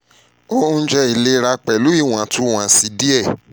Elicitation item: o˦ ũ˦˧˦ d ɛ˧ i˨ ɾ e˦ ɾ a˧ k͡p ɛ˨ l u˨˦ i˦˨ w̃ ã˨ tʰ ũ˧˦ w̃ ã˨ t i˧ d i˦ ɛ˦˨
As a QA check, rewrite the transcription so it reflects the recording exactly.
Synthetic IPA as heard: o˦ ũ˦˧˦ d͡ʒ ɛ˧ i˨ l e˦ ɾ a˧ k͡p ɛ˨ l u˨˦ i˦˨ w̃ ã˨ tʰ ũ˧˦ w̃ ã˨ s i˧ d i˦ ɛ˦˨